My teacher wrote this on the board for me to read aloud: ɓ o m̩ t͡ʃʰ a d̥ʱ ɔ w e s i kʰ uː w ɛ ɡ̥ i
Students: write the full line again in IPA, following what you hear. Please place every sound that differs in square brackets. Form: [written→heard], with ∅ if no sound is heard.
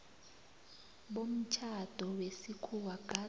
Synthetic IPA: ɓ o m̩ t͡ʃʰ a d̥ʱ ɔ w e s i kʰ [uː→u] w [ɛ→a] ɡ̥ [i→a]